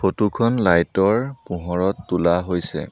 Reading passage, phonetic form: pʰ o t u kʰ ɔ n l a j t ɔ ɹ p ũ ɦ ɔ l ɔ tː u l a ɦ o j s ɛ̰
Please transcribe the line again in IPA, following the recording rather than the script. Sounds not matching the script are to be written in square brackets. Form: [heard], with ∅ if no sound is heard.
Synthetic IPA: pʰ o t u kʰ ɔ n l a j t ɔ ɹ p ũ ɦ ɔ [ɹ] ɔ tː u l a ɦ o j s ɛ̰